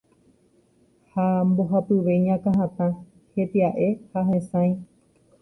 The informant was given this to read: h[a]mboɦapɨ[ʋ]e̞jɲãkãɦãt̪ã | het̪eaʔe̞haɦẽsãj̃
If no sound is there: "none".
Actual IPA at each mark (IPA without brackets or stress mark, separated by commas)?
a, ʋ